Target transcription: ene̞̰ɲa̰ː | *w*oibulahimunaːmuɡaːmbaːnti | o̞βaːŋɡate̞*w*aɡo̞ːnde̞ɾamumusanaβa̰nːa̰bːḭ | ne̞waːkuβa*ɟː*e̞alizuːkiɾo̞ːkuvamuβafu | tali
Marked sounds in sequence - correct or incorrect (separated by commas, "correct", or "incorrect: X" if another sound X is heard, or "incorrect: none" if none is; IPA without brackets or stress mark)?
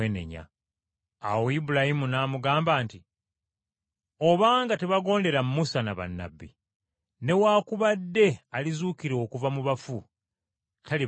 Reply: correct, incorrect: β, incorrect: dː